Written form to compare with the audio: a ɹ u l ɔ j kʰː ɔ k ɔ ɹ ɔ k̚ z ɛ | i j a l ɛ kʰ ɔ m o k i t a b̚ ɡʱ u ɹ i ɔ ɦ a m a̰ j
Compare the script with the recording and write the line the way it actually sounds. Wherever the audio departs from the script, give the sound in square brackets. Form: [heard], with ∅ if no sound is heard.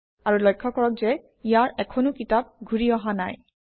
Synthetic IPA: a ɹ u l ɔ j kʰː ɔ k ɔ ɹ ɔ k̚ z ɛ | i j a [ɹ] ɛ kʰ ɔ [n] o k i t a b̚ ɡʱ u ɹ i ɔ ɦ a [n] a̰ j